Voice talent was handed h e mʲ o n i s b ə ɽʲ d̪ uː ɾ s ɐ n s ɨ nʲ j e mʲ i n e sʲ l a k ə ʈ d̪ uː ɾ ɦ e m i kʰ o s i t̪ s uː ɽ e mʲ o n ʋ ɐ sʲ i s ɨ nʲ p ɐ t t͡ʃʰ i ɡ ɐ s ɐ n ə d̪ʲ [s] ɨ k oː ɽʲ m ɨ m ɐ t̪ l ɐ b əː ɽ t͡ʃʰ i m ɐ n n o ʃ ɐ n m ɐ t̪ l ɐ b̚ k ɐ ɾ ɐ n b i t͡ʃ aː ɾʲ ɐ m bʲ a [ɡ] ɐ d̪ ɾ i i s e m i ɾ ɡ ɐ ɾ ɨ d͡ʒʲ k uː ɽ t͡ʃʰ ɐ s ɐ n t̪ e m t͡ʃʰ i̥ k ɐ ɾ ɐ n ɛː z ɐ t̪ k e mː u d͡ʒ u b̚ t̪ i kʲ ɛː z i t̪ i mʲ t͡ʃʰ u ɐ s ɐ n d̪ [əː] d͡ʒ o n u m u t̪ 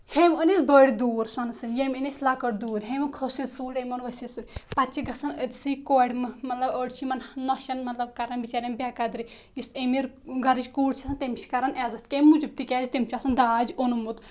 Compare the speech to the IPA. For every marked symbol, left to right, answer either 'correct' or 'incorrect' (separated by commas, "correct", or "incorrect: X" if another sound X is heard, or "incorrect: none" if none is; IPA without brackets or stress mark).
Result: correct, incorrect: k, incorrect: aː